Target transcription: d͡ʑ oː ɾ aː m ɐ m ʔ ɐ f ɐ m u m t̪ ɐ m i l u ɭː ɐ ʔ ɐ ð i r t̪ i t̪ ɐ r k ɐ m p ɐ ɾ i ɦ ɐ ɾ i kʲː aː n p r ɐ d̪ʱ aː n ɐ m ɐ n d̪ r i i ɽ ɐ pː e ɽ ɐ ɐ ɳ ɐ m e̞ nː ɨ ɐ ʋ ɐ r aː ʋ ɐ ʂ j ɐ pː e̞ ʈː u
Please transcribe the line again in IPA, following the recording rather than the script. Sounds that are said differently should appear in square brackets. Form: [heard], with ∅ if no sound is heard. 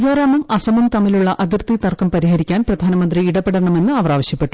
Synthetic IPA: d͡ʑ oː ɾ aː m ɐ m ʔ ɐ [s] ɐ m u m t̪ ɐ m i l u ɭː ɐ ʔ ɐ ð i r t̪ i t̪ ɐ r k ɐ m p ɐ ɾ i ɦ ɐ ɾ i kʲː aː n p r ɐ d̪ʱ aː n ɐ m ɐ n d̪ r i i ɽ ɐ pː e ɽ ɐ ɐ ɳ ɐ m e̞ nː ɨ ɐ ʋ ɐ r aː ʋ ɐ [ɕ] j ɐ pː e̞ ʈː u